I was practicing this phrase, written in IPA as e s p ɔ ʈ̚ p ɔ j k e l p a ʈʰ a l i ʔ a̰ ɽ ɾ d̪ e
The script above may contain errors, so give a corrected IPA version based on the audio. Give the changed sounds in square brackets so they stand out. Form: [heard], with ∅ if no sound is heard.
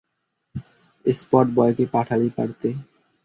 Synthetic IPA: e s p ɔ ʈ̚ [b] ɔ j k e [∅] p a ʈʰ a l i [p] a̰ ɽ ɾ [t̪] e